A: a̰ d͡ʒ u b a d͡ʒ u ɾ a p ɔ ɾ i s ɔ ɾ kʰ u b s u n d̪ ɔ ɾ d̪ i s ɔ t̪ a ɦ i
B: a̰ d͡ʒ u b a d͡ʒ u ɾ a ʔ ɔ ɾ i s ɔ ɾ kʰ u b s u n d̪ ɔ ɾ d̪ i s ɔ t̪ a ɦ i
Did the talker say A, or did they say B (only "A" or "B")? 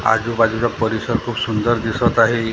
A